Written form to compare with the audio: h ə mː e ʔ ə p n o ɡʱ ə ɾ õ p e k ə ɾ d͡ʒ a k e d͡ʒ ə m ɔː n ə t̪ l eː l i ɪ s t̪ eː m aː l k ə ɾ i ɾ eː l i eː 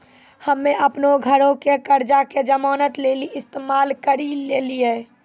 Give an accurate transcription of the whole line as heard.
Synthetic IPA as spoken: h ə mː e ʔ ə p n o ɡʱ ə ɾ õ k e k ə ɾ d͡ʒ a k e d͡ʒ ə m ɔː n ə t̪ l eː l i ɪ s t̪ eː m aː l k ə ɾ i l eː l i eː